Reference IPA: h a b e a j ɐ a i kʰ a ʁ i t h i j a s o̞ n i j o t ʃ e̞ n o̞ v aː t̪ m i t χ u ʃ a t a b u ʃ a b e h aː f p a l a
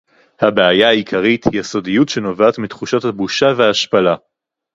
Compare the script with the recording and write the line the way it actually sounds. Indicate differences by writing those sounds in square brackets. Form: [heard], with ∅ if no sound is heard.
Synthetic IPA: h a b e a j [a] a i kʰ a ʁ i t h i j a s o̞ [d] i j [u] t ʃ e̞ n o̞ v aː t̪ m i t χ u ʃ a t a b u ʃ a [v] e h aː [ʃ] p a l a